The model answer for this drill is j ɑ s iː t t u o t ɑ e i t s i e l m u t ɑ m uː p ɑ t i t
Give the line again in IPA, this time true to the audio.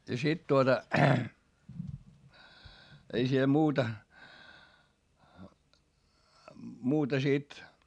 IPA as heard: j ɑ s i t t u o t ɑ e i s i e l m uː t ɑ m uː t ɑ s i t